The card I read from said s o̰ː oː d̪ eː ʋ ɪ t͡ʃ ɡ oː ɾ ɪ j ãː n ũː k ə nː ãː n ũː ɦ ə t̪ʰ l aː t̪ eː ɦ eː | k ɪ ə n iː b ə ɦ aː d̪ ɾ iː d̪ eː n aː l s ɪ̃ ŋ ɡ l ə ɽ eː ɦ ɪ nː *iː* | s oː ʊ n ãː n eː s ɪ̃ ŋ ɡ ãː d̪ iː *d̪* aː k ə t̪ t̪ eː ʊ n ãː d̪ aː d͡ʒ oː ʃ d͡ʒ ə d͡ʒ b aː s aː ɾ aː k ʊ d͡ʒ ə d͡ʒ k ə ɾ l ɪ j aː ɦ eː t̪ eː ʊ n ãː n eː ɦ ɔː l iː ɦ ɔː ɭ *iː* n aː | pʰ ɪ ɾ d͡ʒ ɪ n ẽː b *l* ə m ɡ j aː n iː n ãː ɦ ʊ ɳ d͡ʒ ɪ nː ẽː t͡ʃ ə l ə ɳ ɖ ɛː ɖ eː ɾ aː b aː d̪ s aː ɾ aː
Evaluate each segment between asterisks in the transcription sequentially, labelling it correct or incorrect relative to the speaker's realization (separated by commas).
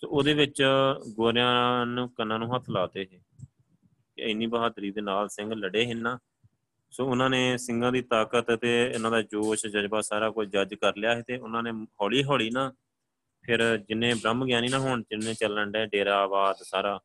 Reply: incorrect, incorrect, correct, incorrect